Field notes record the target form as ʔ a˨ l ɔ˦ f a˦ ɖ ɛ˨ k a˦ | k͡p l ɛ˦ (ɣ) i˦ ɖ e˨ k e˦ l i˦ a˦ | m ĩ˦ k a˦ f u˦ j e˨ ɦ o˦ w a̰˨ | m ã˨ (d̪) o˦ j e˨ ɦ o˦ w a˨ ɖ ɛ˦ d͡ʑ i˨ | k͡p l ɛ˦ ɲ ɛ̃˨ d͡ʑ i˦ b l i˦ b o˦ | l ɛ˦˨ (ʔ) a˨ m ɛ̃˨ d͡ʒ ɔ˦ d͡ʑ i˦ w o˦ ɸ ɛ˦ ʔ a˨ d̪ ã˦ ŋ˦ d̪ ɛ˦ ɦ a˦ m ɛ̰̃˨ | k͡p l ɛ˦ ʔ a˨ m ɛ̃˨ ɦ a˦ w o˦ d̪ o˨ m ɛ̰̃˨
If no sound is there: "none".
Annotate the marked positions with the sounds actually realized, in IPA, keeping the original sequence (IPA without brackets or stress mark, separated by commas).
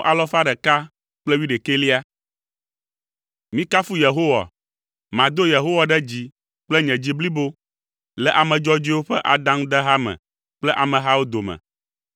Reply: w, d̪, ʔ